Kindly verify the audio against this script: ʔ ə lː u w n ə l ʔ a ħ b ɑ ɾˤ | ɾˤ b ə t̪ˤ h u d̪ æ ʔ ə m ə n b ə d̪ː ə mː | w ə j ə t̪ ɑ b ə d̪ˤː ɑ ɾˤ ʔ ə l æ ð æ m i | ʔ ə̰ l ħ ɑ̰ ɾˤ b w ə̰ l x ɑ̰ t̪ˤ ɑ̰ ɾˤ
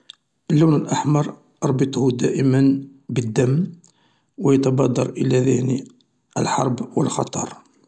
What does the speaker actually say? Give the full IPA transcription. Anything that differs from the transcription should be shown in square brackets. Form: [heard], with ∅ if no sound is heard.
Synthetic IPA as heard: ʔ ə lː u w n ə l ʔ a ħ [m] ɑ ɾˤ | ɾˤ b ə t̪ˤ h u d̪ æ ʔ ə m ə n b ə d̪ː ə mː | w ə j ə t̪ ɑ b [ɑ] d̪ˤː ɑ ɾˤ ʔ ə l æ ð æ [n] i | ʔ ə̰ l ħ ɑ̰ ɾˤ b w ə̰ l x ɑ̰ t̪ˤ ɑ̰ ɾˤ